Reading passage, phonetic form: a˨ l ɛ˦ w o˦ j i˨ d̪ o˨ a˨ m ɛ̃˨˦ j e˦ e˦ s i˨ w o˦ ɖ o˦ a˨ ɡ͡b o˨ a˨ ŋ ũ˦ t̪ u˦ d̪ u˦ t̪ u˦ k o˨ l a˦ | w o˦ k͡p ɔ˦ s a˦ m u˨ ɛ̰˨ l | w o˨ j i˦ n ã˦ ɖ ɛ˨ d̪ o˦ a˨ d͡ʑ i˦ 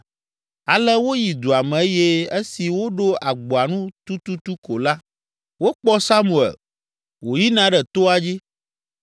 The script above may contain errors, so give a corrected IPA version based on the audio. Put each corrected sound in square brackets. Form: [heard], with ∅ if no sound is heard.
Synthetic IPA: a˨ l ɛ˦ w o˦ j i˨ d̪ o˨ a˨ m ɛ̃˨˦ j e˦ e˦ s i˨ w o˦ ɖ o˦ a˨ ɡ͡b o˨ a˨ [n] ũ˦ t̪ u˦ [t̪] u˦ t̪ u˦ k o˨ l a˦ | w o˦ k͡p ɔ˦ s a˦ m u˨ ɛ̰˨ l | w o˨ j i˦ n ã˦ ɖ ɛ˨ [t̪] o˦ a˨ d͡ʑ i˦